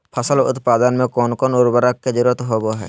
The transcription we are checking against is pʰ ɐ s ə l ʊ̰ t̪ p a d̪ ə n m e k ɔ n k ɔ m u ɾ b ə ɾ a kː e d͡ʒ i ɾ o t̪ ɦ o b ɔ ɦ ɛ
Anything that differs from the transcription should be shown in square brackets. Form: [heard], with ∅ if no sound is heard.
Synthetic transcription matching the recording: pʰ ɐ s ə l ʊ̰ t̪ p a d̪ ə n m e k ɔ n k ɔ [n] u ɾ b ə ɾ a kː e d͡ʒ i ɾ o t̪ ɦ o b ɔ ɦ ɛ